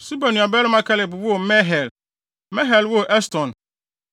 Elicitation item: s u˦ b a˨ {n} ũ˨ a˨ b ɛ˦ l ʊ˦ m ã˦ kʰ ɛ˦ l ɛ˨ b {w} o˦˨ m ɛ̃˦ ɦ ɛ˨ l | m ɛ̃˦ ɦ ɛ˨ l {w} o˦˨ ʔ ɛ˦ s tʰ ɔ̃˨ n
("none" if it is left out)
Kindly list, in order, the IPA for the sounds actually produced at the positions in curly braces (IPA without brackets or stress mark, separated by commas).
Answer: n, w, w